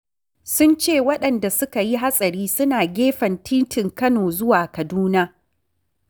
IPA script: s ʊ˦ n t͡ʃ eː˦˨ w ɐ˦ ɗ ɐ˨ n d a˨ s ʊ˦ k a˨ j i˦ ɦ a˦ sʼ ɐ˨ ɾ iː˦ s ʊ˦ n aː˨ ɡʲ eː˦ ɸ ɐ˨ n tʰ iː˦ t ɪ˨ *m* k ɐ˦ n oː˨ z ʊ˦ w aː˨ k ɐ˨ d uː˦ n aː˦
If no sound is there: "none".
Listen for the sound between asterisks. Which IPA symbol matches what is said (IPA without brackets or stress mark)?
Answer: ŋ